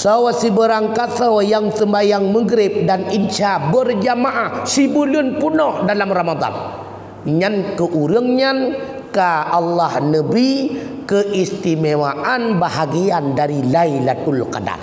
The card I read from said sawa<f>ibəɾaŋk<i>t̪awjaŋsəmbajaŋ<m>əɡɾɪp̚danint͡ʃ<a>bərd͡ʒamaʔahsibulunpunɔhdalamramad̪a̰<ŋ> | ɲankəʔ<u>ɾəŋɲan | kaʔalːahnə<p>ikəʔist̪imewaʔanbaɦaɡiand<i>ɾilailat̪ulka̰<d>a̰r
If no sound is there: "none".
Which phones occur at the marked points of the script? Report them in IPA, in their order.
s, a, m, a, n, u, b, a, d

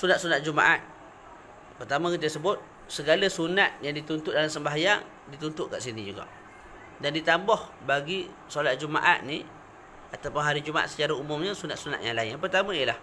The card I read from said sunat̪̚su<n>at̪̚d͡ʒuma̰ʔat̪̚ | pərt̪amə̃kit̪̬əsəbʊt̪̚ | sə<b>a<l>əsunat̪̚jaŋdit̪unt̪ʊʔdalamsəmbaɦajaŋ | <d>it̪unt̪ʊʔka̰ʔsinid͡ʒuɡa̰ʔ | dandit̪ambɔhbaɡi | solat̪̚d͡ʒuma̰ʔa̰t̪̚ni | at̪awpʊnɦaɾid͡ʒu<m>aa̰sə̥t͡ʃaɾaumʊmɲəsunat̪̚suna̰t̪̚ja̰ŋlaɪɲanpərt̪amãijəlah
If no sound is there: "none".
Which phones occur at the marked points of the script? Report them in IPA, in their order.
n, ɡ, l, d, m

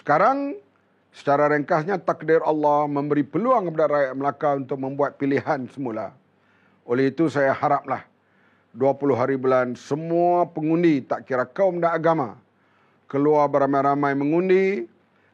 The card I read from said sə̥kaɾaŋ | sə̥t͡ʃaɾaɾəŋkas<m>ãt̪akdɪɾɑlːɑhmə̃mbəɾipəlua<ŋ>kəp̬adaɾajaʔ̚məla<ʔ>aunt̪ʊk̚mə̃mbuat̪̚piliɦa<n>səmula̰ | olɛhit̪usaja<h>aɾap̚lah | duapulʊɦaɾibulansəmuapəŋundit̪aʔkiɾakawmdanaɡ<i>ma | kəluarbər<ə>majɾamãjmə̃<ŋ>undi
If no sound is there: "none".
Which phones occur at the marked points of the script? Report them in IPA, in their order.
ɲ, ŋ, k, n, h, a, a, ŋ

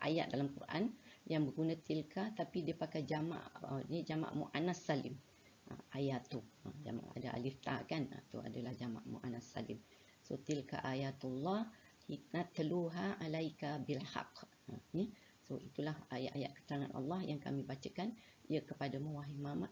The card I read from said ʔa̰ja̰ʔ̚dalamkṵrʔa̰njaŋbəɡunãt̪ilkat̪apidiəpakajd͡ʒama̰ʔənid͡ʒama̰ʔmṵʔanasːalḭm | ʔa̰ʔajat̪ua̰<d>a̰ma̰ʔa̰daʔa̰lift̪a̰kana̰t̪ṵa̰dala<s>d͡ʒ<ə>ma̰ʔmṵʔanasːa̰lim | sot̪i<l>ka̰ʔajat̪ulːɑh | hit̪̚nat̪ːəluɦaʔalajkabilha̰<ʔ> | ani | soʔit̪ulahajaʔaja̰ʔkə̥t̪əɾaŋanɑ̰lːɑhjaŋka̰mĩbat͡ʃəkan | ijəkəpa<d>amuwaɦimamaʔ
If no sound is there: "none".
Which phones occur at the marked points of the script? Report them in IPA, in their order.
d͡ʒ, h, a, l, q, d

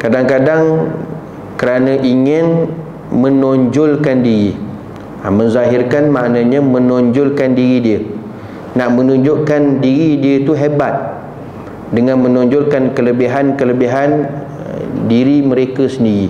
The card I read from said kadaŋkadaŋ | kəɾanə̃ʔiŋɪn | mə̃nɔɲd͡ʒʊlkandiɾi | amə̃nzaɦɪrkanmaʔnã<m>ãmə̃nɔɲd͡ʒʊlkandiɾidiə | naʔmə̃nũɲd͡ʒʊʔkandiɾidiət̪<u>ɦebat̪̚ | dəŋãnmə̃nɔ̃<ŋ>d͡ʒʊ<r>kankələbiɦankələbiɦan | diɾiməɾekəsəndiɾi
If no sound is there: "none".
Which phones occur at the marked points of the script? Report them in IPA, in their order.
ɲ, u, ɲ, l

